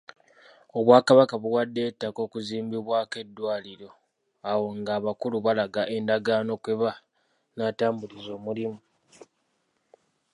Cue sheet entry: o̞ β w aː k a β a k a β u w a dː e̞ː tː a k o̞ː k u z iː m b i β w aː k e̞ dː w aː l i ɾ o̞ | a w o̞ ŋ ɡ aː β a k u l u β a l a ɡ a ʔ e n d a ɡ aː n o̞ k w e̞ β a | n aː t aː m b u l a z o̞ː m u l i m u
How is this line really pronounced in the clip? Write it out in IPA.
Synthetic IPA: o̞ β w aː k a β a k a β u w a dː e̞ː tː a k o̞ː k u z iː m b i β w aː k e̞ dː w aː l i ɾ o̞ | a w o̞ ŋ ɡ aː β a k u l u β a l a ɡ a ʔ e n d a ɡ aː n o̞ k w e̞ β a | n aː t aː m b u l i z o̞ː m u l i m u